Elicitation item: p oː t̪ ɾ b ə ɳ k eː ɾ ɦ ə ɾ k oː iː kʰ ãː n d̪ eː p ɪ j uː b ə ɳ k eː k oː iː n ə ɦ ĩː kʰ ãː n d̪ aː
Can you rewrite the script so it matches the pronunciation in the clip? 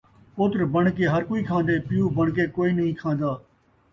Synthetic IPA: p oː t̪ ɾ b ə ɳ k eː ɦ ə ɾ k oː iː kʰ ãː n d̪ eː p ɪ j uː b ə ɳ k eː k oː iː n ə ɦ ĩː kʰ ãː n d̪ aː